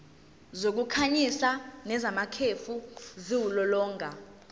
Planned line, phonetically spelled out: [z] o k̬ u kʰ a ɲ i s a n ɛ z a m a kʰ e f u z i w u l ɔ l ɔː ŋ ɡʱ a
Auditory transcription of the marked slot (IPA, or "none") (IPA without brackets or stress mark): z